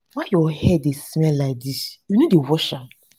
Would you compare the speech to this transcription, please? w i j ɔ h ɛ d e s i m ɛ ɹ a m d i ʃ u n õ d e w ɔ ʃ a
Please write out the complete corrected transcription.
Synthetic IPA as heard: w a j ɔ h ɛ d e s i m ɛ l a d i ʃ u n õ d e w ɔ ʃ a